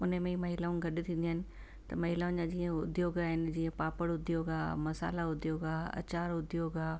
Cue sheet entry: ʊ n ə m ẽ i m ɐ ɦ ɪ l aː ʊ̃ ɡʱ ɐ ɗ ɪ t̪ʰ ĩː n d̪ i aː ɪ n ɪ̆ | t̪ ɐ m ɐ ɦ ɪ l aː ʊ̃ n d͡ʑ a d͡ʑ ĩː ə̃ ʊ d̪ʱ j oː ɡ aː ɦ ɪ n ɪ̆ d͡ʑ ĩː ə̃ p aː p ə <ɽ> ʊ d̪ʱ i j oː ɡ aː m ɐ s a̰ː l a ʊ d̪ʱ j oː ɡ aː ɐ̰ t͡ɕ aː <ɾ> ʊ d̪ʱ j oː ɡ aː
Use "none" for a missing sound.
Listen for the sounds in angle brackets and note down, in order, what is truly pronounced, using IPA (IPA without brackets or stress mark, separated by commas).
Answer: ɽ, ɾ